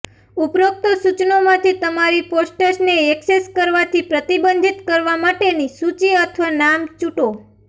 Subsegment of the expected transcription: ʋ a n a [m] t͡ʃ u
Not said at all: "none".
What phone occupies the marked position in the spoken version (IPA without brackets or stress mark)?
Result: m